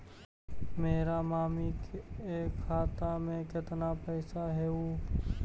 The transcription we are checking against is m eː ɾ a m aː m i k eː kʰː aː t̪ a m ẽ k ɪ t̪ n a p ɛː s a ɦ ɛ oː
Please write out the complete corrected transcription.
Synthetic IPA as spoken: m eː ɾ a m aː m i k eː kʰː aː t̪ a m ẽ k ɪ t̪ n a p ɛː s a ɦ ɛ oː